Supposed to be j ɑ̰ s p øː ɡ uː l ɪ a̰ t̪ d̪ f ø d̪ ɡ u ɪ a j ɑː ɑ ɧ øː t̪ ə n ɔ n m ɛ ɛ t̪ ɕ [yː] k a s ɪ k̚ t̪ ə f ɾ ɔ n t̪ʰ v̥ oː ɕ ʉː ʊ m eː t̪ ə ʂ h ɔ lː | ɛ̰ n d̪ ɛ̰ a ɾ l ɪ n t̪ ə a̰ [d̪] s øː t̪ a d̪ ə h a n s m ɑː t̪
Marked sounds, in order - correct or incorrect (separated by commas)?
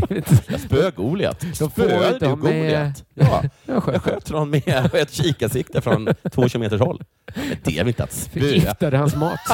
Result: incorrect, incorrect